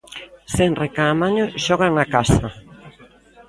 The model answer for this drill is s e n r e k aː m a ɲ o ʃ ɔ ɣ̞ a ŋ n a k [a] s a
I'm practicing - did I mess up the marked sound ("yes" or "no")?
no